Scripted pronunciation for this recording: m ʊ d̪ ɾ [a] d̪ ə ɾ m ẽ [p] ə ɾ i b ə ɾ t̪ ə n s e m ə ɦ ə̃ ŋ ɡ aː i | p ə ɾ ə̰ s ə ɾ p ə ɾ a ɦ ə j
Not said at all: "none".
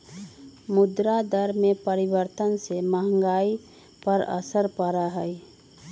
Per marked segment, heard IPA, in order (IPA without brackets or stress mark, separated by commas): a, p